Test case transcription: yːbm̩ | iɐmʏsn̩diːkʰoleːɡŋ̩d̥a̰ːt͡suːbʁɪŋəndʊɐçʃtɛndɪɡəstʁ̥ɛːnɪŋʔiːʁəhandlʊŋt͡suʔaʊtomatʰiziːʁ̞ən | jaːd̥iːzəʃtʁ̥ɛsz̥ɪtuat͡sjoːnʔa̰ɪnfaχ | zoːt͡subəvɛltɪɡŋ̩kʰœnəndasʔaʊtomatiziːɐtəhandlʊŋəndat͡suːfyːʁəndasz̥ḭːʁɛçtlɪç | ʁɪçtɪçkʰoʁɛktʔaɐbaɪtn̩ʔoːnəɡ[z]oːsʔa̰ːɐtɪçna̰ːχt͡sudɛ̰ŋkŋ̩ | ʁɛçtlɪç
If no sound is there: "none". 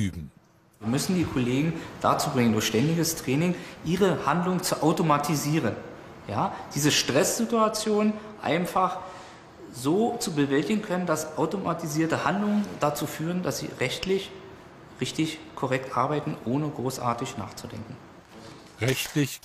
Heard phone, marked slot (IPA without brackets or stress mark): ʁ